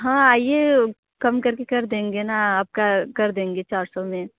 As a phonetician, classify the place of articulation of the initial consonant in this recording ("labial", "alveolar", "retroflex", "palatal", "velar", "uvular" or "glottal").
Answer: glottal